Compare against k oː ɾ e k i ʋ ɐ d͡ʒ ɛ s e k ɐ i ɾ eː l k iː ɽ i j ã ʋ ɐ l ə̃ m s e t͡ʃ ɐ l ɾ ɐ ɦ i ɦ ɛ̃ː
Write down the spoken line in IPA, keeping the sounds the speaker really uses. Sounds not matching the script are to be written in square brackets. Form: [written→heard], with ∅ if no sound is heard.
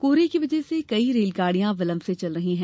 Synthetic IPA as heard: k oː ɾ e k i ʋ ɐ d͡ʒ ɛ s e k ɐ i ɾ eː l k [iː→aː] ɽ i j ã ʋ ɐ l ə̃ m s e t͡ʃ ɐ l ɾ ɐ ɦ i ɦ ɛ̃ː